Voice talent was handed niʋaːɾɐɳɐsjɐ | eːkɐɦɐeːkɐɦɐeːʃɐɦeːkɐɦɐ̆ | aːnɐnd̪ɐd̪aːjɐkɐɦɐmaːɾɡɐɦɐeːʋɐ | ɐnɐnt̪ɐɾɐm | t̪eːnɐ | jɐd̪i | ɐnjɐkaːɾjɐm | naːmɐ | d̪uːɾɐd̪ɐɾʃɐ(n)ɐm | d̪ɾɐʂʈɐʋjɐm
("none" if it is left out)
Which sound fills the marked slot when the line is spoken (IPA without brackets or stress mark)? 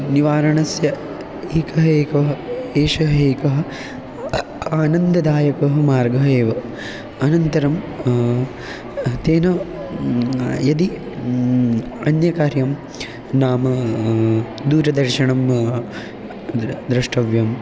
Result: ɳ